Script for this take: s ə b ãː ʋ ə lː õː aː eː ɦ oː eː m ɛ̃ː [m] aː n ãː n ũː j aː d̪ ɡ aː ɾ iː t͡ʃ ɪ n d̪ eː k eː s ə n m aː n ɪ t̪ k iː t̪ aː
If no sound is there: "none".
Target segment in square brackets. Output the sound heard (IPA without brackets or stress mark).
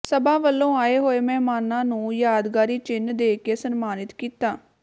m